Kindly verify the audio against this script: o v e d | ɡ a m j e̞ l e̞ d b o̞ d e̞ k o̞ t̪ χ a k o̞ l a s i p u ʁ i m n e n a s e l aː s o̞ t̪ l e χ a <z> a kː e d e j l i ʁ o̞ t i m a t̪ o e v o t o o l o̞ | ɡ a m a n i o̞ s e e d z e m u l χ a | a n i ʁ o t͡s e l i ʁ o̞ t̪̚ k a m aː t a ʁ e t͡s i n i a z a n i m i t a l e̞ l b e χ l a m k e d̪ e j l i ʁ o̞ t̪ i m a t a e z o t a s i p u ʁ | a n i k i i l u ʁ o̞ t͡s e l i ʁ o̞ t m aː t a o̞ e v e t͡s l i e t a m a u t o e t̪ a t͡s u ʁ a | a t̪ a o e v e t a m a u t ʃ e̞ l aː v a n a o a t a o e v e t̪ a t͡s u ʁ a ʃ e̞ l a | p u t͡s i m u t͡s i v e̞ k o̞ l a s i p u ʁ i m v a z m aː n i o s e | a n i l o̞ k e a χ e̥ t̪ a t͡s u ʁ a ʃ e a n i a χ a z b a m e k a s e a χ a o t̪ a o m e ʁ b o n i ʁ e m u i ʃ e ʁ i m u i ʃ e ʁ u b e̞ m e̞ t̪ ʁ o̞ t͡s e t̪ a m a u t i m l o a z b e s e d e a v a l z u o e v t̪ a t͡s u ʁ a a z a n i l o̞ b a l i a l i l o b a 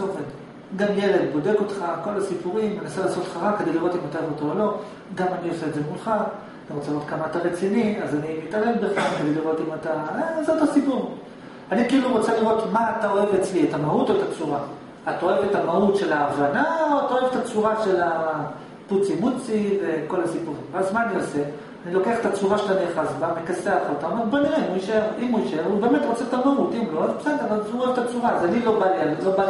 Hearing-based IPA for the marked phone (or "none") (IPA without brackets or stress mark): ʁ